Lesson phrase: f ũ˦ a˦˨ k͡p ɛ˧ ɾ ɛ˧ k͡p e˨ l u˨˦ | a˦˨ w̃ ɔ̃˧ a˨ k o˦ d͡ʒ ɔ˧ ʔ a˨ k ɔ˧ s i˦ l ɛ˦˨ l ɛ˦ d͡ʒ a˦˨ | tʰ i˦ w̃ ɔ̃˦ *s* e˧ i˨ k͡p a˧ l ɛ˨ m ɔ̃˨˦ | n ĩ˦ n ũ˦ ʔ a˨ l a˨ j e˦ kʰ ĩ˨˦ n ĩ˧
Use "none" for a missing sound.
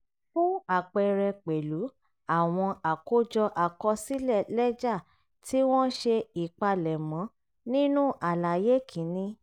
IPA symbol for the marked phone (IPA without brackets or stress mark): ʃ